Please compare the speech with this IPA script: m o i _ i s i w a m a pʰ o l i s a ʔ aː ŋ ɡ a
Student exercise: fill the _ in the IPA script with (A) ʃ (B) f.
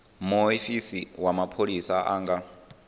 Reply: B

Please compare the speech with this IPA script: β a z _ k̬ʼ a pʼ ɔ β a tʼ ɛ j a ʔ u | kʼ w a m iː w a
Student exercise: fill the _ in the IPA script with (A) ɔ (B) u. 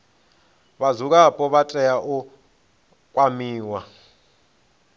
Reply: B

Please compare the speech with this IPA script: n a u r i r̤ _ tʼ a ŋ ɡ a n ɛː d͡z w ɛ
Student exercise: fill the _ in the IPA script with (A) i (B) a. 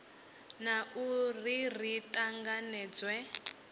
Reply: A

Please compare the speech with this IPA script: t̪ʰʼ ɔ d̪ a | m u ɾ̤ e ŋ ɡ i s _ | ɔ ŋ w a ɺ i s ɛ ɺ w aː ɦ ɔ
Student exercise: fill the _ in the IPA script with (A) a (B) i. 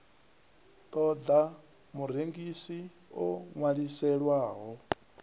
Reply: B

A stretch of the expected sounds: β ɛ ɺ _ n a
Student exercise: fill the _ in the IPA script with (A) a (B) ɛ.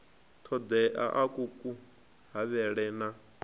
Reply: B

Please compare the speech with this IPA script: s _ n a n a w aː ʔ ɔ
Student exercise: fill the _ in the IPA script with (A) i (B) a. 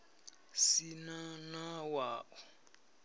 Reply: A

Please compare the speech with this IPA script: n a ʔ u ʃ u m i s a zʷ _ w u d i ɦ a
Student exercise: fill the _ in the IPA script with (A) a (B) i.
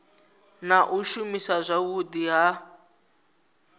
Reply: A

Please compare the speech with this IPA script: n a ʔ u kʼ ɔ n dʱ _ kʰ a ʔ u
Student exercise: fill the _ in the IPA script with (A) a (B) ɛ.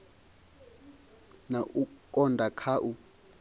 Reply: A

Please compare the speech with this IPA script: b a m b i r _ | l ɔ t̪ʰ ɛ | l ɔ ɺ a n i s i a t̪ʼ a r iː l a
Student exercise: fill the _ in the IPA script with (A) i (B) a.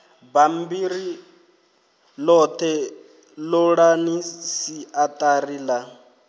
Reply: A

